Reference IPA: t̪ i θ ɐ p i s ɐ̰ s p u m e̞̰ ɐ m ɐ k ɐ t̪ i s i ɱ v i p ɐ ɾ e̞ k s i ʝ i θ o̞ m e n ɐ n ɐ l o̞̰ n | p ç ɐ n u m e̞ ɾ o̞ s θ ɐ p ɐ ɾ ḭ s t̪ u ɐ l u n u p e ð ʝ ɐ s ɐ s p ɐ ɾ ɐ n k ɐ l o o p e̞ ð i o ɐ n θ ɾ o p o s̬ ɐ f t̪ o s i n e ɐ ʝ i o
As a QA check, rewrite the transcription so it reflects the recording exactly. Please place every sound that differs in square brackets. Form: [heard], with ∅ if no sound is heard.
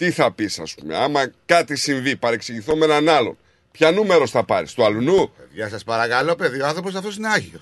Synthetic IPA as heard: t̪ i θ ɐ p i s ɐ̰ s p u m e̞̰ ɐ m ɐ k ɐ t̪ i s i ɱ v i p ɐ ɾ e̞ k s i ʝ i θ o̞ m e n ɐ n ɐ l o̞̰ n | p ç ɐ n u m e̞ ɾ o̞ s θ ɐ p ɐ ɾ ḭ s t̪ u ɐ l u n u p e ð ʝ ɐ s ɐ s p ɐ ɾ ɐ [∅] k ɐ l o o p e̞ ð i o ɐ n θ ɾ o p o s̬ ɐ f t̪ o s i n e ɐ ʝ i o